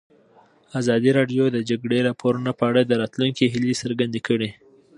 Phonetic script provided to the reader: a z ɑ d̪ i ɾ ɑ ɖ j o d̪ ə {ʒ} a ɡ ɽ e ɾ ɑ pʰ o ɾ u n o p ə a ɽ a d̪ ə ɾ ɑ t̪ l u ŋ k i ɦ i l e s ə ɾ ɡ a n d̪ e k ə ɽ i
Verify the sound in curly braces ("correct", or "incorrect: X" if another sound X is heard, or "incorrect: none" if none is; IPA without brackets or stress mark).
incorrect: d͡ʒ